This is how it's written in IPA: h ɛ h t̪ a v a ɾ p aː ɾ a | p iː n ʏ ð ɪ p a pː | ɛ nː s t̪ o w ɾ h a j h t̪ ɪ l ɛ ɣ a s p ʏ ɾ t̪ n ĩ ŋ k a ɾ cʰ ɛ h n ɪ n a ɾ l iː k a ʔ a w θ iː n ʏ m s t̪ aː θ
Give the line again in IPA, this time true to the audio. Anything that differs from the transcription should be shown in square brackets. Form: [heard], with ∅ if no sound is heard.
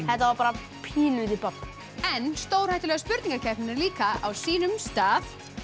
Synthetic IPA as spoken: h ɛ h t̪ a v a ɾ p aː ɾ a | [pʰ] iː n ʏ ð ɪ p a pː | ɛ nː s t̪ o w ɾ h a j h t̪ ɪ l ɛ ɣ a s p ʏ ɾ t̪ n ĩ ŋ k a ɾ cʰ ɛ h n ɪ n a ɾ l iː k a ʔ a w [s] iː n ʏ m s t̪ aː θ